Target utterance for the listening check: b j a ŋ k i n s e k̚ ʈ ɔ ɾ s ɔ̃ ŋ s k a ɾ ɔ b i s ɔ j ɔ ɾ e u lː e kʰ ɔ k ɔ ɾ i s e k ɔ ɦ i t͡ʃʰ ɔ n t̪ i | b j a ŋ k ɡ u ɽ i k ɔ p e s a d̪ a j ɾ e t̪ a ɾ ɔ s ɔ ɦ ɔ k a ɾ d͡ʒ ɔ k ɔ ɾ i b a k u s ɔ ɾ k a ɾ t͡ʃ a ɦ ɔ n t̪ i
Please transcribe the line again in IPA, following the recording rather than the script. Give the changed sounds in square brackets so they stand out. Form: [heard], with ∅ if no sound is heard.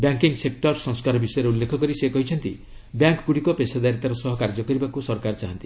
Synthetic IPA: b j a ŋ k i [ŋ] s e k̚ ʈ ɔ ɾ s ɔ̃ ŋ s k a ɾ ɔ b i s ɔ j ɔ ɾ e u lː e kʰ ɔ k ɔ ɾ i s e k ɔ ɦ i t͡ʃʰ ɔ n t̪ i | b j a ŋ k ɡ u ɽ i k ɔ p e s a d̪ a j ɾ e t̪ a ɾ ɔ s ɔ ɦ ɔ k a ɾ d͡ʒ ɔ k ɔ ɾ i b a k u s ɔ ɾ k a ɾ t͡ʃ a ɦ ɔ n t̪ i